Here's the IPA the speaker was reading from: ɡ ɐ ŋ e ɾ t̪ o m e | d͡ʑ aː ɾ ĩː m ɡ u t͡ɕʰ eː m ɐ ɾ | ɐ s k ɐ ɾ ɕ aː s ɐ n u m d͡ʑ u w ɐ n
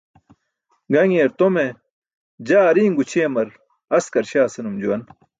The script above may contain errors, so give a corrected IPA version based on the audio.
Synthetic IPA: ɡ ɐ ŋ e ɾ t̪ o m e | d͡ʑ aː ɾ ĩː ŋ ɡ u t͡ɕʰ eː m ɐ ɾ | ɐ s k ɐ ɾ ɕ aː s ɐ n u m d͡ʑ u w ɐ n